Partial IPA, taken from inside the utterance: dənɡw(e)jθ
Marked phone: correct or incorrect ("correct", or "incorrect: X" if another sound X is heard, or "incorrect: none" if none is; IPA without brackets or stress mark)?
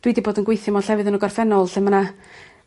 correct